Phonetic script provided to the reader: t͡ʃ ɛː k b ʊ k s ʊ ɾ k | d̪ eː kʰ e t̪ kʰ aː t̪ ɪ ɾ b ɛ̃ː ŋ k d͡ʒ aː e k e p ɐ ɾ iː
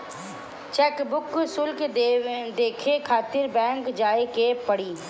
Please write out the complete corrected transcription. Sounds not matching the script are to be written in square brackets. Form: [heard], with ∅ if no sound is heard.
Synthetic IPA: t͡ʃ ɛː k b ʊ k s ʊ [l] k | d̪ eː kʰ e [∅] kʰ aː t̪ ɪ ɾ b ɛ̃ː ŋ k d͡ʒ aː e k e p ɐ [ɽ] iː